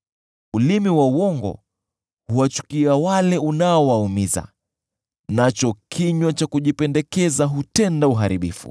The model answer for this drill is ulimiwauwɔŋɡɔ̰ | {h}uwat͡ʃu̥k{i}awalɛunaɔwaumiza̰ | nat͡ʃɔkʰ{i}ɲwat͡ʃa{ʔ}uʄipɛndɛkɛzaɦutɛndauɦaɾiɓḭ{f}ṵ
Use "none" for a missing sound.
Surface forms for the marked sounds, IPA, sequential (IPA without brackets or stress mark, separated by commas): h, i, i, k, f